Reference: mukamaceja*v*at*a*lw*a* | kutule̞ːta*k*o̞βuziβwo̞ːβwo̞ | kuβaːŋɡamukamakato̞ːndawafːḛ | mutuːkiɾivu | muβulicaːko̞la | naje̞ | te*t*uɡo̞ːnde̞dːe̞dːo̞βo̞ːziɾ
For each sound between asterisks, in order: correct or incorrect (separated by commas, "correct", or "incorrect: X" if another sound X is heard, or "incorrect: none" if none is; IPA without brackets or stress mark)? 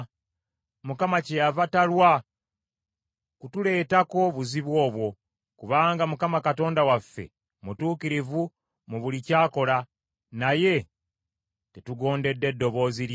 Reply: correct, correct, correct, correct, correct